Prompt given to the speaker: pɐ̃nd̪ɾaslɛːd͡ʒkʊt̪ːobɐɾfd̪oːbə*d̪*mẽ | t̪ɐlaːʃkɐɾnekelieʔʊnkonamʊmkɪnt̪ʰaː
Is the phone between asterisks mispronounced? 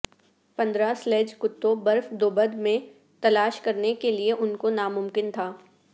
no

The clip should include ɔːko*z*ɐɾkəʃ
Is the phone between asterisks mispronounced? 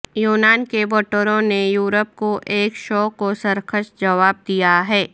yes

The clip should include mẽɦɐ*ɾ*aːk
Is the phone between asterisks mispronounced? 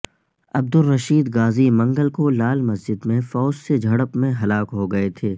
yes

